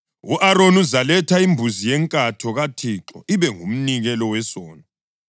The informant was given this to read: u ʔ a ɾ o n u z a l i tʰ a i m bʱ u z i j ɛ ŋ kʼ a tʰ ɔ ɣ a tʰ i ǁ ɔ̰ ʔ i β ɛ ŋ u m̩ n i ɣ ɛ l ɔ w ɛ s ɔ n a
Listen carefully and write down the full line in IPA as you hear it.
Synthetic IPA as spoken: u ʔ a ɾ o n u z a l ɛ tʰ a i m bʱ u z i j ɛ ŋ kʼ a tʰ ɔ ɣ a tʰ i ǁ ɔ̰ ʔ i β ɛ ŋ u m̩ n i ɣ ɛ l ɔ w ɛ s ɔː n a